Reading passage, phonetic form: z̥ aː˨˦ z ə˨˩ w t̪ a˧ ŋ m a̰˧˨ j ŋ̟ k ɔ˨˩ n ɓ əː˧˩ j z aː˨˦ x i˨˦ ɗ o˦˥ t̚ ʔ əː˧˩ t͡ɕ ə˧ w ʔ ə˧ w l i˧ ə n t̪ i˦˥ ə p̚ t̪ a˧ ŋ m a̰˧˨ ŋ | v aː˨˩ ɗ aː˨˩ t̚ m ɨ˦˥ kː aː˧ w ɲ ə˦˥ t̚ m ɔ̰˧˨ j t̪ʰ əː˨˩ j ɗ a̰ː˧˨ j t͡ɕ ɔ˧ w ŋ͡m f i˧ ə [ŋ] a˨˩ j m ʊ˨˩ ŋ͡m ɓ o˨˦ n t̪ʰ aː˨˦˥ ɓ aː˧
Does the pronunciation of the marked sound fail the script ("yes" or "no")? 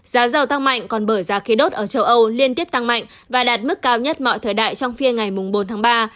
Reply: no